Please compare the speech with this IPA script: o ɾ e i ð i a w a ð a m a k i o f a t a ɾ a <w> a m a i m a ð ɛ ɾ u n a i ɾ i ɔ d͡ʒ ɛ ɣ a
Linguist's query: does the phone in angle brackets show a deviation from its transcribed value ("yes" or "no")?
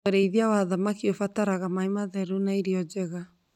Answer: yes